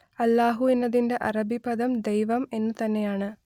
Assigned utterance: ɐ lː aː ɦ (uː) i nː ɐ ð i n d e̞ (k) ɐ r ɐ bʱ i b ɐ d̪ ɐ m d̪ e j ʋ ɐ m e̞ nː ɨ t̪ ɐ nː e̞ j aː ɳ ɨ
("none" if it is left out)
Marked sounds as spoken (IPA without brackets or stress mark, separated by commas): u, ʔ